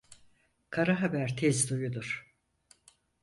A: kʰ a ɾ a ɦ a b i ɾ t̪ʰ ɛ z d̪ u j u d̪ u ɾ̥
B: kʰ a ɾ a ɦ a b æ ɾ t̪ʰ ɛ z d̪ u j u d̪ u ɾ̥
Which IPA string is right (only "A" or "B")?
B